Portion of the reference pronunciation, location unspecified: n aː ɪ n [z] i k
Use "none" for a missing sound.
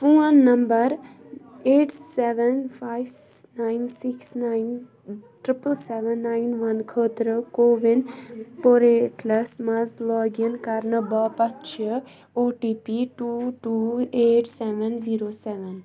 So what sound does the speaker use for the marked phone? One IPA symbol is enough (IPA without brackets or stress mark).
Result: s